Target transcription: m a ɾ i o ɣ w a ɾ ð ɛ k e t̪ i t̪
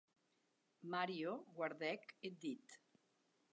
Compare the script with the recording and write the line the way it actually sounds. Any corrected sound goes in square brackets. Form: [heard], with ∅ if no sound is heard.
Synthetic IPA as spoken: m a ɾ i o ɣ w a ɾ ð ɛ k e [d̪] i t̪